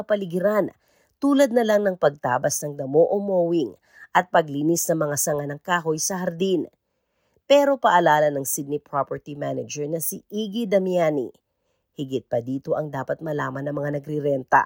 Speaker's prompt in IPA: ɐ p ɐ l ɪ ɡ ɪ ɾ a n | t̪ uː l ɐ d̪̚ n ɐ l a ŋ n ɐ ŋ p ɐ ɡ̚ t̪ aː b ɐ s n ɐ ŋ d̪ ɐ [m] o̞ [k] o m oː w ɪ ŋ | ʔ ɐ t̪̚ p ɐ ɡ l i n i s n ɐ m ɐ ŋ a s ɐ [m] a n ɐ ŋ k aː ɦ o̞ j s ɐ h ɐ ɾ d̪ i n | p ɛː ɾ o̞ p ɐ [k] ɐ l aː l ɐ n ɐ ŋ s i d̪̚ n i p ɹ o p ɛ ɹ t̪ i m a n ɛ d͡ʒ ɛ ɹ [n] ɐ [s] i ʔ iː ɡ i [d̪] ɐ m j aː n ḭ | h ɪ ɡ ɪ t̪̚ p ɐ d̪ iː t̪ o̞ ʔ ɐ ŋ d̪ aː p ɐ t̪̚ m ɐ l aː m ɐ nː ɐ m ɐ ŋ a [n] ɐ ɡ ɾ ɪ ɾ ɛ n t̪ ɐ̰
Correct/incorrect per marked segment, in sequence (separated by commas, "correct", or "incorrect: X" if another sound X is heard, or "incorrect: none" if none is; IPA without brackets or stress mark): correct, incorrect: ʔ, incorrect: ŋ, incorrect: ʔ, correct, correct, correct, correct